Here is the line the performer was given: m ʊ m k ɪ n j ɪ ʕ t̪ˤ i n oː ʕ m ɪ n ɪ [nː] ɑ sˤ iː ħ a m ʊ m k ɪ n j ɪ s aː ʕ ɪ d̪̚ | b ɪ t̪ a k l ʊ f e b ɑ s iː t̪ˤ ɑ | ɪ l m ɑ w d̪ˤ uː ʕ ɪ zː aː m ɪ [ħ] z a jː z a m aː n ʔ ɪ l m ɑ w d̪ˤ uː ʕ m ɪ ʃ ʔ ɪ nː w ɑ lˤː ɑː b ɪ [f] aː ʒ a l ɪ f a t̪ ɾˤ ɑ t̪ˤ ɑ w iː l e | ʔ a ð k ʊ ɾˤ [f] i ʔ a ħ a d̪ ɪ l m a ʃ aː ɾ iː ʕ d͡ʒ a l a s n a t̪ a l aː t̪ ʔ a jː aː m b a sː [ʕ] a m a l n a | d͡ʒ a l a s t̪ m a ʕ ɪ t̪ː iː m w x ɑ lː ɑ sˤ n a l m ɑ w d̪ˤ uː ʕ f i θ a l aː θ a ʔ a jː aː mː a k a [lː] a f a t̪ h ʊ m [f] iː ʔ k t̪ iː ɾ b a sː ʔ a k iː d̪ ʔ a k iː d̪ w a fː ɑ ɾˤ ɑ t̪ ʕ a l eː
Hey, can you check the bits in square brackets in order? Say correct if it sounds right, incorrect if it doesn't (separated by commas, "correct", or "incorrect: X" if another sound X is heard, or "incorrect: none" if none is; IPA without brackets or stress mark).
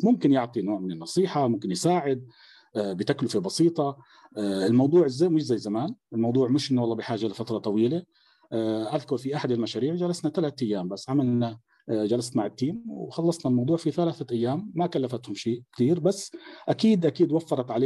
correct, incorrect: ʃ, incorrect: ħ, correct, correct, correct, incorrect: ʃ